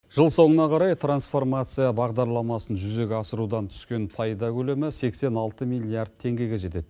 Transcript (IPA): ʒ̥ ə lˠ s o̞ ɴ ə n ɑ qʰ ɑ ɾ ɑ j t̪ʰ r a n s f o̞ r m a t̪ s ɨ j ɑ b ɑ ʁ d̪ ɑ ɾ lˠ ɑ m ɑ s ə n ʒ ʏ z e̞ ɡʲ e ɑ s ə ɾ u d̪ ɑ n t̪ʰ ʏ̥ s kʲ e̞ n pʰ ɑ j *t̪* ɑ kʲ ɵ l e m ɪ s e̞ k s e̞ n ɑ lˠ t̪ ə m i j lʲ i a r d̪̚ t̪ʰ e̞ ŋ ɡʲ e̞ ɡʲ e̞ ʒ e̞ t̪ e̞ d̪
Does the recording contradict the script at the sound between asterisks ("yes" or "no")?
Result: yes